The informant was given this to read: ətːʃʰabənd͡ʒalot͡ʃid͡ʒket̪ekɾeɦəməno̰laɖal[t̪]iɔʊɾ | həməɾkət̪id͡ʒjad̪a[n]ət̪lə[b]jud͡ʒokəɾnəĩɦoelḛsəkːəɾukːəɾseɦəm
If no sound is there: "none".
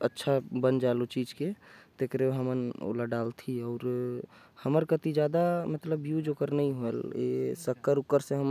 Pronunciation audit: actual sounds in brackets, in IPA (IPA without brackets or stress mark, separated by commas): t̪ʰ, m, b